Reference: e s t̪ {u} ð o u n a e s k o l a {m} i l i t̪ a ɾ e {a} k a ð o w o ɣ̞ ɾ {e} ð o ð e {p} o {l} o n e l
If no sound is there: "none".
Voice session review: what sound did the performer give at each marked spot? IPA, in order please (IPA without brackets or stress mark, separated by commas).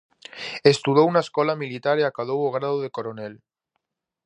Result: u, m, a, a, k, ɾ